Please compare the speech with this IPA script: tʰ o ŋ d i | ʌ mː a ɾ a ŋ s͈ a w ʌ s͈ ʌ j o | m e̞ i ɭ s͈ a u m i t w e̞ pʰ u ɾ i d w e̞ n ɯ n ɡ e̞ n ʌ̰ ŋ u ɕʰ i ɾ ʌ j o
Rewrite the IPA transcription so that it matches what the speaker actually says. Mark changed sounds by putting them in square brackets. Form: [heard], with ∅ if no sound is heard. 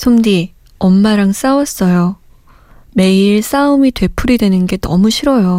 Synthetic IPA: [sʰ] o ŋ d i | ʌ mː a ɾ a ŋ s͈ a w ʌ s͈ ʌ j o | m e̞ i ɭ s͈ a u m i t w e̞ pʰ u ɾ i d w e̞ n ɯ n ɡ e̞ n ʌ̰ [m] u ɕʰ i ɾ ʌ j o